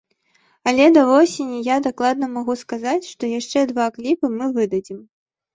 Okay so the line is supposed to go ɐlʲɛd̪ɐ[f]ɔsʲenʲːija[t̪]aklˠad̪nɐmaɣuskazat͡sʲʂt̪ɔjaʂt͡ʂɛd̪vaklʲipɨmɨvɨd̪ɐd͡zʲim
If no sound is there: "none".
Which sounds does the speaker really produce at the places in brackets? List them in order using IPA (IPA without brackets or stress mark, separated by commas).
v, d̪